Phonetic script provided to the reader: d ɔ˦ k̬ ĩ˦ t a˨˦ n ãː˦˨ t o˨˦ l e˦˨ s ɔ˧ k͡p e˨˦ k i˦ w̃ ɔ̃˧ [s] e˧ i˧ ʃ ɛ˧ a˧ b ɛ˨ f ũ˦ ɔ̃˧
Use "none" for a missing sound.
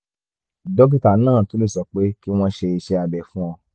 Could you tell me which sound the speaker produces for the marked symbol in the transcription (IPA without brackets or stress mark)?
ʃ